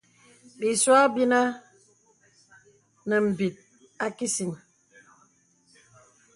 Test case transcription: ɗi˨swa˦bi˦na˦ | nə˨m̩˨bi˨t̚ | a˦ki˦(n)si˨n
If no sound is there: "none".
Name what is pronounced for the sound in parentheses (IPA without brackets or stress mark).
none